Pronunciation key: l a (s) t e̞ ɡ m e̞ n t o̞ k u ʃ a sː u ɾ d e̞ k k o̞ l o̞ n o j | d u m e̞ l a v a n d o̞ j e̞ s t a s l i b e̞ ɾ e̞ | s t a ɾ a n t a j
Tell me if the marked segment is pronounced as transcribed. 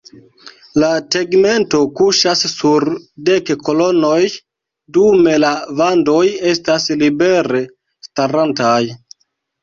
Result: no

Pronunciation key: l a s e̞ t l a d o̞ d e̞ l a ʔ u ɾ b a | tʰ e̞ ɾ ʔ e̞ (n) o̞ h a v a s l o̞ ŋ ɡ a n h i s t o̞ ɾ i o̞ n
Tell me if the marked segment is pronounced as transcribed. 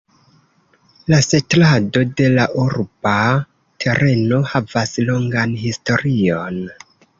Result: yes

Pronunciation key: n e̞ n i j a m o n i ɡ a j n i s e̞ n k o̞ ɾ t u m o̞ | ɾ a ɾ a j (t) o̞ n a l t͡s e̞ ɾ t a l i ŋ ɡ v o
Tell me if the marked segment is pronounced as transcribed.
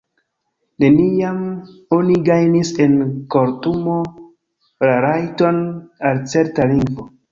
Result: yes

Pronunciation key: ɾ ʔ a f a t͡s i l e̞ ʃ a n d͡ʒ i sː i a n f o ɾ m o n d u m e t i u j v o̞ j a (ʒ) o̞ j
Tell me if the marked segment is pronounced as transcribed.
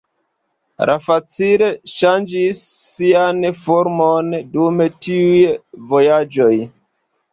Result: no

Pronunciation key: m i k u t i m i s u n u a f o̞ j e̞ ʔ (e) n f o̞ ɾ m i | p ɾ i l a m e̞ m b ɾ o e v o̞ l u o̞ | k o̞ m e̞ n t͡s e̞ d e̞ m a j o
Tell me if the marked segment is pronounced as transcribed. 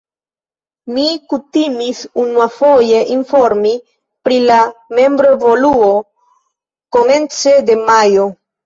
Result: no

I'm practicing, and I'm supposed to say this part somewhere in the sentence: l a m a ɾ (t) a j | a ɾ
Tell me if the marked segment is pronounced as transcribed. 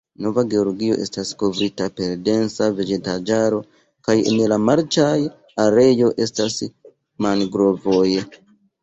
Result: no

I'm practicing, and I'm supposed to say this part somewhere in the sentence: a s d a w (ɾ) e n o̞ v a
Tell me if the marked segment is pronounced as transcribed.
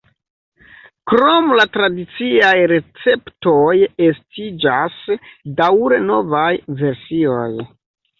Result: yes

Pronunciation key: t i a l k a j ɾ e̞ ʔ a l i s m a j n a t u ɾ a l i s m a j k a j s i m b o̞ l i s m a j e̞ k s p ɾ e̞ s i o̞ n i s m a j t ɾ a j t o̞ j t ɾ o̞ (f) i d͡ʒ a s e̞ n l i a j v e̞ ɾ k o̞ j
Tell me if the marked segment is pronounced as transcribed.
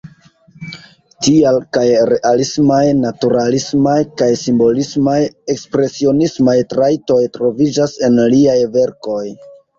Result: no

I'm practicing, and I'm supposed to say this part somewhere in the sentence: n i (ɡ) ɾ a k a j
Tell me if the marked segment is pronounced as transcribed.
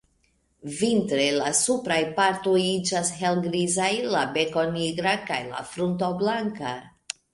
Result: yes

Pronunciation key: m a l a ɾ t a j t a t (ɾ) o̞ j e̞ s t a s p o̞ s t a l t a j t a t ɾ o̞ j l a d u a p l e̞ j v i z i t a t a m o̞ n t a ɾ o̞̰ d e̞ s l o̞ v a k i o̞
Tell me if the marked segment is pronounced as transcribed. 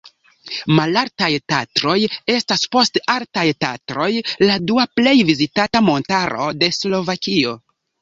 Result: yes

